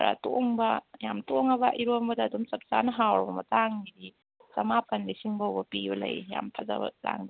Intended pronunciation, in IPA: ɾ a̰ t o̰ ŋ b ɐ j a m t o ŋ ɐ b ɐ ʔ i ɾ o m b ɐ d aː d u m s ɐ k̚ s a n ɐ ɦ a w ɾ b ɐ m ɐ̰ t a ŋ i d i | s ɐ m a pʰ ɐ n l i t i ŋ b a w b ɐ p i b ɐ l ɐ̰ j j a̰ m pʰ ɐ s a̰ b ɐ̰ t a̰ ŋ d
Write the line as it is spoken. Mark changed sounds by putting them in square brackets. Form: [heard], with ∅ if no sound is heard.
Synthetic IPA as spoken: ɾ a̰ t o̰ ŋ b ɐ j a m t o ŋ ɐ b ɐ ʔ i ɾ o m b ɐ d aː d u m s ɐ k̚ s a n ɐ ɦ a w ɾ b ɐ m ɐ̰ t a ŋ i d i | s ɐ m a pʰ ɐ n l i [s] i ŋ b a w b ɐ p i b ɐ l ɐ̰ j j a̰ m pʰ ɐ [z] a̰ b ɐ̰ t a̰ ŋ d

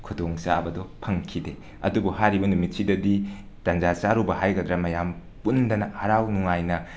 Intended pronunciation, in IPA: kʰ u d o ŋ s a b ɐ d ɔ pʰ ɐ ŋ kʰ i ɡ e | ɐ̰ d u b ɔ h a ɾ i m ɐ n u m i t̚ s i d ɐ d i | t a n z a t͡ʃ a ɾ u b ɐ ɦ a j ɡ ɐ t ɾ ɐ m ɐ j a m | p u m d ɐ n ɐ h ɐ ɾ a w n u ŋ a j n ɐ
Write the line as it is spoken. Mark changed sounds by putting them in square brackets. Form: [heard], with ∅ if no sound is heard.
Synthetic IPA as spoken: kʰ u d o ŋ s a b ɐ d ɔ pʰ ɐ ŋ kʰ i [d] e | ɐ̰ d u b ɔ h a ɾ i [b] ɐ n u m i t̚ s i d ɐ d i | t a n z a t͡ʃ a ɾ u b ɐ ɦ a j ɡ ɐ [d] ɾ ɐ m ɐ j a m | p u [n] d ɐ n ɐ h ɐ ɾ a w n u ŋ a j n ɐ

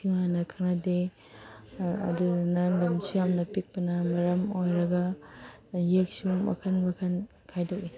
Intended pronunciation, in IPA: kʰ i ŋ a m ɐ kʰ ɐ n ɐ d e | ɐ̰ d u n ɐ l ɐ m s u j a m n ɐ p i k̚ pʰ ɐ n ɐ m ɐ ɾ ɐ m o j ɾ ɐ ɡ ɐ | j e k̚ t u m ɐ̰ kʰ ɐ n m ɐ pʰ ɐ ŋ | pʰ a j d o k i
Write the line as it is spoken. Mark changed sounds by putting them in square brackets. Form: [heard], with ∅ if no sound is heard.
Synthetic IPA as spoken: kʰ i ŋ a [n] ɐ kʰ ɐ n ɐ d e | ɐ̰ d u n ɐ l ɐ m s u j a m n ɐ p i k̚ [p] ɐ n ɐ m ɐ ɾ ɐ m o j ɾ ɐ ɡ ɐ | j e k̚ [s] u m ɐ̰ kʰ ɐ n m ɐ [kʰ] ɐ [n] | [kʰ] a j d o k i

